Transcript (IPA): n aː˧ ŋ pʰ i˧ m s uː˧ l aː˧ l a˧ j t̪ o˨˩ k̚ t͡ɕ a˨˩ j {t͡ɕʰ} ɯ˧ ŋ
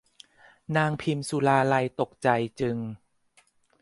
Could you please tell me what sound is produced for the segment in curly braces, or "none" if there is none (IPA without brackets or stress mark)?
t͡ɕ